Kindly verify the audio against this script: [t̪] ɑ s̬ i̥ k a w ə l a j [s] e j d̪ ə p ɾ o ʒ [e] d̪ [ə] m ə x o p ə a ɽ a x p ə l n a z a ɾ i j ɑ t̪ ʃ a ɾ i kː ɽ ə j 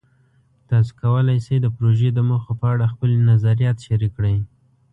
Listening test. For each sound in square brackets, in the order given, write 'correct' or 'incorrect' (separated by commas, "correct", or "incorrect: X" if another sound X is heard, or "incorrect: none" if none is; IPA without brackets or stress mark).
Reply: correct, correct, correct, correct